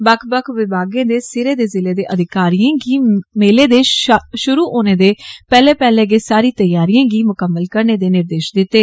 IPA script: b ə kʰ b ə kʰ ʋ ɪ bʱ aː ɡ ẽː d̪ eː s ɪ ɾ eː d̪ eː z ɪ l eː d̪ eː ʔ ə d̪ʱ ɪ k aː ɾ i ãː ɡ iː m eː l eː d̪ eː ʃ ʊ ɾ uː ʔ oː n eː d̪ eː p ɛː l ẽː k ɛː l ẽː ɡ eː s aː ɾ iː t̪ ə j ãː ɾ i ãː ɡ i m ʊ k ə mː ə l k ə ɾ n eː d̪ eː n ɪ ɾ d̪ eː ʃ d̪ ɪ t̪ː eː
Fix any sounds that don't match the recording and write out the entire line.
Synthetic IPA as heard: b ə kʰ b ə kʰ ʋ ɪ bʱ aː ɡ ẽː d̪ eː s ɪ ɾ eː d̪ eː z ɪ l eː d̪ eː ʔ ə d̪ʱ ɪ k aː ɾ i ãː ɡ iː m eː l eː d̪ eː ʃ ʊ ɾ uː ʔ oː n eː d̪ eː p ɛː l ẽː p ɛː l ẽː ɡ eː s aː ɾ iː t̪ ə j aː ɾ i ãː ɡ iː m ʊ k ə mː ə l k ə ɾ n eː d̪ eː n ɪ ɾ d̪ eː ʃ d̪ ɪ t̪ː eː